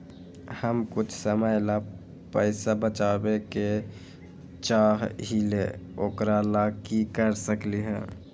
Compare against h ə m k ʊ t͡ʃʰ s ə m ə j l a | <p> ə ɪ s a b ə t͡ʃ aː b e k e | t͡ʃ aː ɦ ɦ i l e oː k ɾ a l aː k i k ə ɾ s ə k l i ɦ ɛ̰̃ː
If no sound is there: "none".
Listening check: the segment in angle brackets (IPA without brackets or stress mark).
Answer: p